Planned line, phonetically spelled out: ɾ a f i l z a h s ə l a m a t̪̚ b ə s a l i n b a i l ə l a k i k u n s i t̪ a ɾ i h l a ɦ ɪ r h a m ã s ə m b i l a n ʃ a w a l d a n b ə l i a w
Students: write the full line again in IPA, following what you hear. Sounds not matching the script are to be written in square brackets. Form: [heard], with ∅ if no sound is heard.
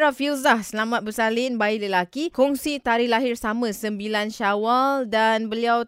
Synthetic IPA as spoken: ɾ a f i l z a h s ə l a m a t̪̚ b ə s a l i n b a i l ə l a k i k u [ŋ] s i t̪ a ɾ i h l a ɦ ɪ r [s] a m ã s ə m b i l a n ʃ a w a l d a n b ə l i a w